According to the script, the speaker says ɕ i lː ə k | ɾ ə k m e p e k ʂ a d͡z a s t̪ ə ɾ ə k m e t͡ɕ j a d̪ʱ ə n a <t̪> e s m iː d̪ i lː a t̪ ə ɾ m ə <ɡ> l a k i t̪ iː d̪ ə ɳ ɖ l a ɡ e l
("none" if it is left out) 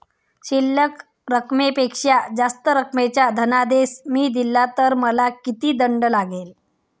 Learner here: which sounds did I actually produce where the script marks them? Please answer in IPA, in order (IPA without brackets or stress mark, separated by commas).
d̪, none